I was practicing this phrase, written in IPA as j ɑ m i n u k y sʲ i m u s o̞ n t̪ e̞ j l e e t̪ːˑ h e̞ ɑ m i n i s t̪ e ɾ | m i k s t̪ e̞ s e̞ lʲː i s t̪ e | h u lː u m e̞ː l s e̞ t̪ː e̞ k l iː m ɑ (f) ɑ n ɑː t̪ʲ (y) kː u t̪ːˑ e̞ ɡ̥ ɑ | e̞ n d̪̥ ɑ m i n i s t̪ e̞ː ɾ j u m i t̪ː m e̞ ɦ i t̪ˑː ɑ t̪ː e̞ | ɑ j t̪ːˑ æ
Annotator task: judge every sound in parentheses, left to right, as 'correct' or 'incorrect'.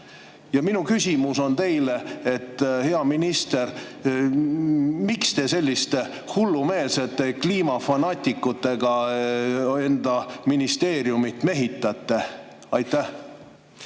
correct, incorrect: i

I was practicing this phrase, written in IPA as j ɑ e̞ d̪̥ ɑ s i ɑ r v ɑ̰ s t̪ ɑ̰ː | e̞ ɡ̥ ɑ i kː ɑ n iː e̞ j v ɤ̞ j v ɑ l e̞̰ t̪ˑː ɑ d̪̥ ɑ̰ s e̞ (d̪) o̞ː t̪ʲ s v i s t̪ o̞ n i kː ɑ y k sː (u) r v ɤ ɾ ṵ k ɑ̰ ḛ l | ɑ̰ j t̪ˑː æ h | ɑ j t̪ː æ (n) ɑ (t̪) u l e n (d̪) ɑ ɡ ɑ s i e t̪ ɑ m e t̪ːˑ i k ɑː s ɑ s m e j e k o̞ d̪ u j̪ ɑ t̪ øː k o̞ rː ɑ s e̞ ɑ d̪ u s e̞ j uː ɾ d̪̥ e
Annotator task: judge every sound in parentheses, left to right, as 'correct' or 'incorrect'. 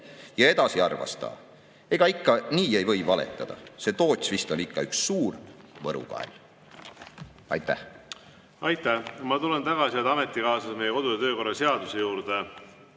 incorrect: t̪, incorrect: uː, incorrect: m, correct, incorrect: t̪

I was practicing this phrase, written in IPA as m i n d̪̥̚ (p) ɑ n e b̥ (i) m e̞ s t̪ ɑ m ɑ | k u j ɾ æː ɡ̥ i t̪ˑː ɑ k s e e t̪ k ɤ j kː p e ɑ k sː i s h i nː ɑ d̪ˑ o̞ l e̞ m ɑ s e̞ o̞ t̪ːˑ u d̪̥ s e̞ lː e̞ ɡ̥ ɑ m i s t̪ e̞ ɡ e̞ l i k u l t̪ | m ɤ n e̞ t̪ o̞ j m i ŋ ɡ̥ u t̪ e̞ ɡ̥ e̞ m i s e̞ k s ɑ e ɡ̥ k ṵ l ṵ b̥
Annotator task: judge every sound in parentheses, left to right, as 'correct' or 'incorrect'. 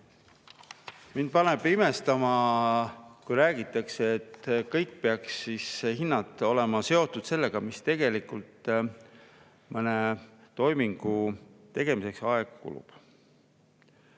correct, correct

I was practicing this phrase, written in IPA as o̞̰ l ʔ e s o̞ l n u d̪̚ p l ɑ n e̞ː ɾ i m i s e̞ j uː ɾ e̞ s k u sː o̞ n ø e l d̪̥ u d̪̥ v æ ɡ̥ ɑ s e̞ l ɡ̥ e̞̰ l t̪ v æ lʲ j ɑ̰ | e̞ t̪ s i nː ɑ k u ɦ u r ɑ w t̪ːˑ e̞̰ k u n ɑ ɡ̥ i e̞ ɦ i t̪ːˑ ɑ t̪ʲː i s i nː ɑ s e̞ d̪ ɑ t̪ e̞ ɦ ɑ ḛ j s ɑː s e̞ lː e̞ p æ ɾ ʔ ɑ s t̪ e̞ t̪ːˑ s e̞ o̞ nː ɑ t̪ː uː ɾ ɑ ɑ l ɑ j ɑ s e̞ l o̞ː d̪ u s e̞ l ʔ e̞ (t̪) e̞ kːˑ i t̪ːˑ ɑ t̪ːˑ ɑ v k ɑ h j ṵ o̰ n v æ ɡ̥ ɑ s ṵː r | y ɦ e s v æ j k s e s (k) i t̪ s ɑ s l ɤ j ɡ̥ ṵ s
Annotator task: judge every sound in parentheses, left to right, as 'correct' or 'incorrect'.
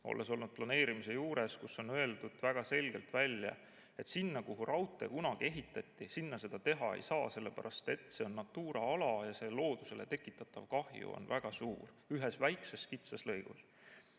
correct, correct

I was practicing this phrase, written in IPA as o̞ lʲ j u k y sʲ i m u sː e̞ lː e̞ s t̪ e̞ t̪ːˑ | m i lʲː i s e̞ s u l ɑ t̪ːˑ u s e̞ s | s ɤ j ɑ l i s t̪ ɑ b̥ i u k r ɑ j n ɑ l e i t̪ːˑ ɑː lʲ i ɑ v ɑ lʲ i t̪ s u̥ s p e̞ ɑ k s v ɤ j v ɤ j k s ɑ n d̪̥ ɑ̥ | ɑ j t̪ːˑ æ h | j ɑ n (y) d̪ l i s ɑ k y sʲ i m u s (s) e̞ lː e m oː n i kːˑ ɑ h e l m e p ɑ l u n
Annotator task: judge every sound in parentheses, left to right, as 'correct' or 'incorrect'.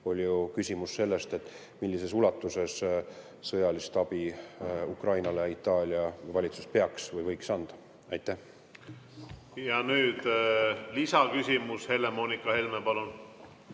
incorrect: yː, incorrect: h

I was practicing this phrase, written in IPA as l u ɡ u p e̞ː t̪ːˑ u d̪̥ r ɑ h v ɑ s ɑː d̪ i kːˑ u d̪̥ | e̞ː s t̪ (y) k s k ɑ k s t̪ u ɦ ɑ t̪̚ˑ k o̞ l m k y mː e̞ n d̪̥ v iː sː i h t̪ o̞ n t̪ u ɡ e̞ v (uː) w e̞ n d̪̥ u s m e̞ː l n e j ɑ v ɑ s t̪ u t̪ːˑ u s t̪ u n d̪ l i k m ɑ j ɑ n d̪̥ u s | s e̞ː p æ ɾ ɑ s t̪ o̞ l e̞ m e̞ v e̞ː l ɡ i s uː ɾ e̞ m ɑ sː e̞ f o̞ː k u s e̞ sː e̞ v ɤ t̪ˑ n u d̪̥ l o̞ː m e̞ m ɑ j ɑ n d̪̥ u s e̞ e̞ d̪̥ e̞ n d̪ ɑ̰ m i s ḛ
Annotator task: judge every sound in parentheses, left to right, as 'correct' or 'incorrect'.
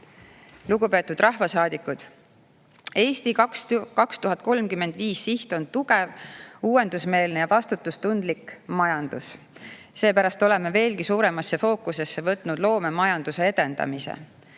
incorrect: i, correct

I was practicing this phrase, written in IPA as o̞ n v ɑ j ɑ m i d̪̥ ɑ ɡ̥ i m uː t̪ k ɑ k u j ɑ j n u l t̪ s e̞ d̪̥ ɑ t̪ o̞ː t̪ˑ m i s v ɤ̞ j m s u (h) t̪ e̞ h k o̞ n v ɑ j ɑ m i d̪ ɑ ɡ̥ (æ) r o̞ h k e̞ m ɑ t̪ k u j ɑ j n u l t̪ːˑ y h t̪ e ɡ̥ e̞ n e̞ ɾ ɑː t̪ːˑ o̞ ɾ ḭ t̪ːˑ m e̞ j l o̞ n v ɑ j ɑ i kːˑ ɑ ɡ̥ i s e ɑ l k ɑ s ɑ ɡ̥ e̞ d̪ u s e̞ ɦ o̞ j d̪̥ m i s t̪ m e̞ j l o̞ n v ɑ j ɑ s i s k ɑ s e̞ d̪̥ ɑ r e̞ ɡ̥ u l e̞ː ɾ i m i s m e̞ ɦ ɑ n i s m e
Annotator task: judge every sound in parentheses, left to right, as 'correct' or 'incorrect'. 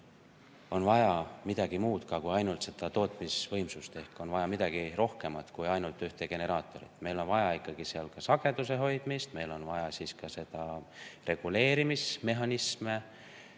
incorrect: s, incorrect: i

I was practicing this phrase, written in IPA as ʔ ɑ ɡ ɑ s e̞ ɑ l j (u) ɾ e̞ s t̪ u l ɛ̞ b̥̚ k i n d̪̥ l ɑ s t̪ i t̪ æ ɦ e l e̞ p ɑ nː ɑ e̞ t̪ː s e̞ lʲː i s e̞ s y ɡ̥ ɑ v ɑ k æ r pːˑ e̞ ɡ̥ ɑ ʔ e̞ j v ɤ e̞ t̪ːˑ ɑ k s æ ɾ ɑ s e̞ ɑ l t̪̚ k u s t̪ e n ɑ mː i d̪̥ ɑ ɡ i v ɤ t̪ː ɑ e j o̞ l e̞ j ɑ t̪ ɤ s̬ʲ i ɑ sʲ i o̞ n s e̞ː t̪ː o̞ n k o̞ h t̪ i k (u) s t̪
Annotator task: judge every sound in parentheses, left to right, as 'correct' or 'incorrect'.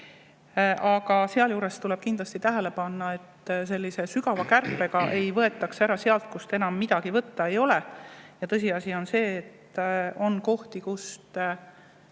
incorrect: uː, correct

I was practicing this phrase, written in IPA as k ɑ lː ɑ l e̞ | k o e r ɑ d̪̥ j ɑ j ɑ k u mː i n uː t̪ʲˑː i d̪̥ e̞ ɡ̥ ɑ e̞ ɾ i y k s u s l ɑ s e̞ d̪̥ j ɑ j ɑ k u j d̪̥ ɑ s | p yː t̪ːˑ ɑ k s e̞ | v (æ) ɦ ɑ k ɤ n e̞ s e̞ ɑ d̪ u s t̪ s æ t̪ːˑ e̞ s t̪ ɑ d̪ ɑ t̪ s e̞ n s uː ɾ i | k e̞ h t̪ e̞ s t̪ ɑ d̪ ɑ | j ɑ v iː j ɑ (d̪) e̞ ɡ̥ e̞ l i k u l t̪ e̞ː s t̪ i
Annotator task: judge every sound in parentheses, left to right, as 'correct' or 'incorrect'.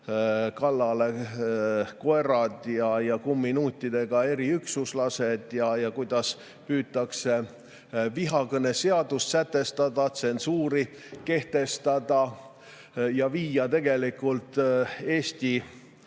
incorrect: i, incorrect: t̪

